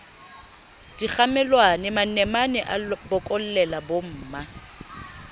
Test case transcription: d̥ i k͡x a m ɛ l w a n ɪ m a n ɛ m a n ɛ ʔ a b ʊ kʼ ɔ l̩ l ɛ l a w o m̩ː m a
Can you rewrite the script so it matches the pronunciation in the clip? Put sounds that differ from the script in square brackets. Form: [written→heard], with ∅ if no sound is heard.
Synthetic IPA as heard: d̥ i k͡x a m ɛ l w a n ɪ m a n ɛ m a n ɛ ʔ a b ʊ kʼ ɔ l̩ l ɛ l a [w→b] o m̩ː m a